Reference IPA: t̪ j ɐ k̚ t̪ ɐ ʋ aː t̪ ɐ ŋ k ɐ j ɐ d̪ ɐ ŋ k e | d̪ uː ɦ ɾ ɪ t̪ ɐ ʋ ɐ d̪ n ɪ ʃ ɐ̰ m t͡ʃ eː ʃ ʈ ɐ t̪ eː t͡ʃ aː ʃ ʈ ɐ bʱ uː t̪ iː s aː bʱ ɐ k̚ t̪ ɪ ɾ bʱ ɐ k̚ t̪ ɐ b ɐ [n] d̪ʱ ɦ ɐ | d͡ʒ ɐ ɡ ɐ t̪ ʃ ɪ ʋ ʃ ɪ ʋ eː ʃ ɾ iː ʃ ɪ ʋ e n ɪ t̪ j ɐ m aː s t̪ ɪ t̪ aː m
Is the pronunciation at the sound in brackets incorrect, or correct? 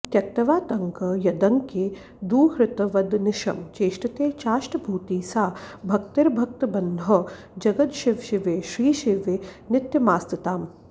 correct